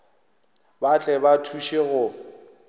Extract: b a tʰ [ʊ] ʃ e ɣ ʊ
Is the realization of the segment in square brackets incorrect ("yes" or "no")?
yes